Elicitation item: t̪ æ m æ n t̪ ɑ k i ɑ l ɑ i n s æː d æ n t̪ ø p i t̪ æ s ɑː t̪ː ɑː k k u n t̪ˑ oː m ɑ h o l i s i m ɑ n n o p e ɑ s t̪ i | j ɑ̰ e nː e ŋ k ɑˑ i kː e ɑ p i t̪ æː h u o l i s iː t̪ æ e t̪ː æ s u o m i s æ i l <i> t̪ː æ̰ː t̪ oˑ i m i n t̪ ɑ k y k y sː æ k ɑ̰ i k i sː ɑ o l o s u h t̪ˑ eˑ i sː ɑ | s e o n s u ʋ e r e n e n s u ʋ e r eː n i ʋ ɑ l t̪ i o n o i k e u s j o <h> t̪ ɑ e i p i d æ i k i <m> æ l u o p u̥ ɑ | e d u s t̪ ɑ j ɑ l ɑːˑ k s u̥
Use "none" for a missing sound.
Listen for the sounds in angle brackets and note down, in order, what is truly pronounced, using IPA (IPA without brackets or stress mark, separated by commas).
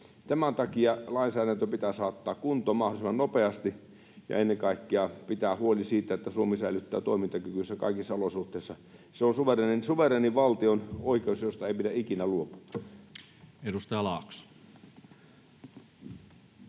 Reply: y, s, n